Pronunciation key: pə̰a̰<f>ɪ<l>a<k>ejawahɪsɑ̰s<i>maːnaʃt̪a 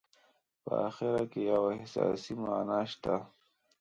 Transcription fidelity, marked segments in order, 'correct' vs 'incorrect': incorrect: x, incorrect: ɾ, correct, correct

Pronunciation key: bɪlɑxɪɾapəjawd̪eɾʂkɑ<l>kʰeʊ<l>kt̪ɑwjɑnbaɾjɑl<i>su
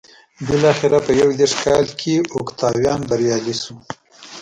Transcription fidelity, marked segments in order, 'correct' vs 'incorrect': correct, incorrect: none, correct

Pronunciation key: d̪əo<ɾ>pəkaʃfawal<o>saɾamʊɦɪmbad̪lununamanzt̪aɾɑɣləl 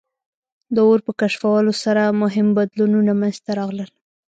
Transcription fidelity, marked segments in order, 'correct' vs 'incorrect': correct, correct

